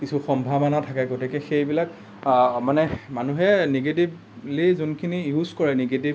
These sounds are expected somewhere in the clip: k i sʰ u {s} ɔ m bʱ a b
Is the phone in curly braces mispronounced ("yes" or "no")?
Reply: yes